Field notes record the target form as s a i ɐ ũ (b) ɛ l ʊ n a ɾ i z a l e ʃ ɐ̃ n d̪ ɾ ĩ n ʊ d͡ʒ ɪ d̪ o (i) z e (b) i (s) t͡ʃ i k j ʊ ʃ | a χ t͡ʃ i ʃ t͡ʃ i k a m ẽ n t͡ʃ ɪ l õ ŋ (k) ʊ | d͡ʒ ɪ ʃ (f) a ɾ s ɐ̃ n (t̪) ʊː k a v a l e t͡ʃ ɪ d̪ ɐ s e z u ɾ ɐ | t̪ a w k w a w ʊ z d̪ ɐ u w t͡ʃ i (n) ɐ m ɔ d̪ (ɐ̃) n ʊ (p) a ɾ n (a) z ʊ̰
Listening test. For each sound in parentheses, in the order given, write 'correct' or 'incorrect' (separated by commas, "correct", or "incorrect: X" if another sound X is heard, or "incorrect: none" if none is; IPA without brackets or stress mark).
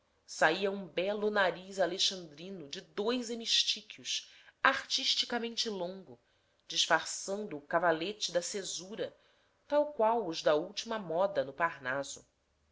correct, incorrect: j, incorrect: m, incorrect: ʃ, incorrect: ɡ, correct, incorrect: d̪, incorrect: m, incorrect: ɐ, correct, correct